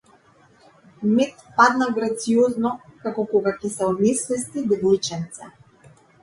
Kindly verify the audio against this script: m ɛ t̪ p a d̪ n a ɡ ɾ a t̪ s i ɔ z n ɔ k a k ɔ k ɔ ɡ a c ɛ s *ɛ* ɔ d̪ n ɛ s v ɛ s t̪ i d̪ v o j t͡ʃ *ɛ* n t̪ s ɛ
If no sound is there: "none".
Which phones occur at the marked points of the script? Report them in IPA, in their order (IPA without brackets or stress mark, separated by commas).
ɛ, ɛ